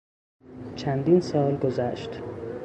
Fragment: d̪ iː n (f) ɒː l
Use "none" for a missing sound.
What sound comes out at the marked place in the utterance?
s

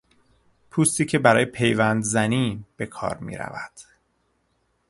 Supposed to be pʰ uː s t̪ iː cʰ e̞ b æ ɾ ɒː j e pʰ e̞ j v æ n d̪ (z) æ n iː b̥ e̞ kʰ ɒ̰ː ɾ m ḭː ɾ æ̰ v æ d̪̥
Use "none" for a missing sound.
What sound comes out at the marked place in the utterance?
z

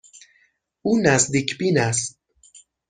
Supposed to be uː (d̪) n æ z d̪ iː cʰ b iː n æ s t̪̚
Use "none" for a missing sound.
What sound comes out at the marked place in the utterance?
none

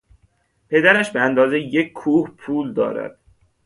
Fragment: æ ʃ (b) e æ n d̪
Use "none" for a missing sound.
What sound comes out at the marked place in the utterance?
b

